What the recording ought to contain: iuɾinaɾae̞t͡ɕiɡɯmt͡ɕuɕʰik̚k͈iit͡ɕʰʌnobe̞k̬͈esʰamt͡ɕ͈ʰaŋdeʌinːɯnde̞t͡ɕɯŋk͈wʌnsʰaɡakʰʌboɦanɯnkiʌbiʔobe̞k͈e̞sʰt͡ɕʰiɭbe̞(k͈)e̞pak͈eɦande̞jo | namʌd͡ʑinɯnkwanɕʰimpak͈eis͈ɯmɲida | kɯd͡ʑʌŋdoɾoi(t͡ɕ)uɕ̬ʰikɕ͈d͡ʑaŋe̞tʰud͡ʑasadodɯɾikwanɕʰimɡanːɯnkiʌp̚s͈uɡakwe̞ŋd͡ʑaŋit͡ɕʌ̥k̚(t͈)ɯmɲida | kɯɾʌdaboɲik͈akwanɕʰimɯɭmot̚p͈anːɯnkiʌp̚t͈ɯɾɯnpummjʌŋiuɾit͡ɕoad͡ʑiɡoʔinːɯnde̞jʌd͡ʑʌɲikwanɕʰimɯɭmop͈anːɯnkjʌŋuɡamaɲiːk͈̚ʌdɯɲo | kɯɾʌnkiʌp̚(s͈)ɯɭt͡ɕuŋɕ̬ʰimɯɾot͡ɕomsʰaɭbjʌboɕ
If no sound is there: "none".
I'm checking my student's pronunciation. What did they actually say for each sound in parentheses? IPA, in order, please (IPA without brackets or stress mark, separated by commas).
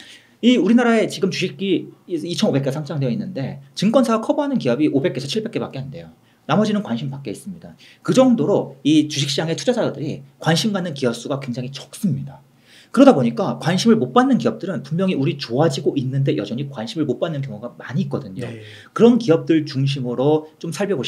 k͈, t͡ɕ, s͈, t͈